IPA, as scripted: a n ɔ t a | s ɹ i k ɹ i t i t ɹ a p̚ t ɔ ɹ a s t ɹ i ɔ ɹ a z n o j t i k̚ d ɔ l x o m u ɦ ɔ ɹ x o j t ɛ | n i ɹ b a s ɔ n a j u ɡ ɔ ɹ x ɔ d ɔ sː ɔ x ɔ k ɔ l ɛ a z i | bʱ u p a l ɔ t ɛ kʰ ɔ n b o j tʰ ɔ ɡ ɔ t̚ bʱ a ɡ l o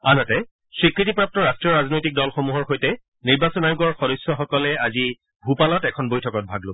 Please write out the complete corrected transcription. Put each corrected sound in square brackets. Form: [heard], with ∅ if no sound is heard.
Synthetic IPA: a n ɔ t [ɛ] | s ɹ i k ɹ i t i [p] ɹ a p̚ t ɔ ɹ a s t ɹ i ɔ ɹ a z n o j t i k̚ d ɔ l x o m u ɦ ɔ ɹ x o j t ɛ | n i ɹ b a s ɔ n a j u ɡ ɔ ɹ x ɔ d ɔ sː ɔ x ɔ k ɔ l ɛ a z i | bʱ u p a l ɔ t ɛ kʰ ɔ n b o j tʰ ɔ [k] ɔ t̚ bʱ a ɡ l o

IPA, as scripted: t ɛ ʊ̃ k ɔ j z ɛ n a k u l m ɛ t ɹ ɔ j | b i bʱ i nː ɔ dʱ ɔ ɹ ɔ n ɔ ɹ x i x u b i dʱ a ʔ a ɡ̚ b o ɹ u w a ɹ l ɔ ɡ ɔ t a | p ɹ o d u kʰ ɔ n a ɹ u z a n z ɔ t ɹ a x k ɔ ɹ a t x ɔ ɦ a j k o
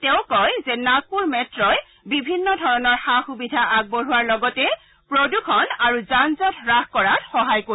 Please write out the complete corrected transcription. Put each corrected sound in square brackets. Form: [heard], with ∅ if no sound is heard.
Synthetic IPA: t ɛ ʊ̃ k ɔ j z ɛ n a k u [ɹ] m ɛ t ɹ ɔ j | b i bʱ i nː ɔ dʱ ɔ ɹ ɔ n ɔ ɹ x [a] x u b i dʱ a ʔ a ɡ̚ b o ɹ u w a ɹ l ɔ ɡ ɔ t [ɛ] | p ɹ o d u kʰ ɔ n a ɹ u z a n z ɔ t ɹ a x k ɔ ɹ a t x ɔ ɦ a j k o

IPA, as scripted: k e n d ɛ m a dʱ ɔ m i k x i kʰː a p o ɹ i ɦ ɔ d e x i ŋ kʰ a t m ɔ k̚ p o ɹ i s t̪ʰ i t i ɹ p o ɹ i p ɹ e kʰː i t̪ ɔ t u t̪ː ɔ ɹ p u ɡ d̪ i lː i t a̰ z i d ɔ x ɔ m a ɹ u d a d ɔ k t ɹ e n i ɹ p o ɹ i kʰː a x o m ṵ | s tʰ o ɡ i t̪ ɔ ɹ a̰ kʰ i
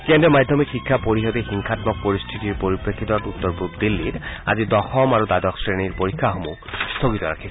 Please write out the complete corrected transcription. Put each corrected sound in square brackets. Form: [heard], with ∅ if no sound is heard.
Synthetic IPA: k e n d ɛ m a dʱ ɔ m i k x i kʰː a p o ɹ i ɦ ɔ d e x i ŋ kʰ a t m ɔ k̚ p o ɹ i s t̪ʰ i t i ɹ p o ɹ i p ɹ e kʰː i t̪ ɔ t u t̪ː ɔ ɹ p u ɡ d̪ i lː i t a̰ z i d ɔ x ɔ m a ɹ u d a d ɔ k [s] ɹ e n i ɹ p o ɹ i kʰː a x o m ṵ | s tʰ o ɡ i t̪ ɔ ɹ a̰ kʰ i

